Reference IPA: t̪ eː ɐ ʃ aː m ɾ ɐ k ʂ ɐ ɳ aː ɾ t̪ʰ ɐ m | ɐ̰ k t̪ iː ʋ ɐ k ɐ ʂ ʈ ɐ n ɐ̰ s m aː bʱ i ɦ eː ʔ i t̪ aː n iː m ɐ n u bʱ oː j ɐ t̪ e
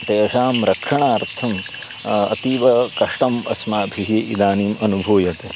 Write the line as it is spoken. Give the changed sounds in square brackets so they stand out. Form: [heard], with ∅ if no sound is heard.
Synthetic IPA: t̪ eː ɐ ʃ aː m ɾ ɐ k ʂ ɐ ɳ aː ɾ t̪ʰ ɐ m | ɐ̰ [∅] t̪ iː ʋ ɐ k ɐ ʂ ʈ ɐ [m] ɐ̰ s m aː bʱ i ɦ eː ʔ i [d̪] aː n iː m ɐ n u bʱ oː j ɐ t̪ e